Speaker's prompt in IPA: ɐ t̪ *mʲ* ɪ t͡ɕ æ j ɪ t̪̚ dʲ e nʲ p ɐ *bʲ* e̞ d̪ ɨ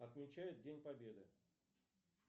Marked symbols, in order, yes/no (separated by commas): yes, yes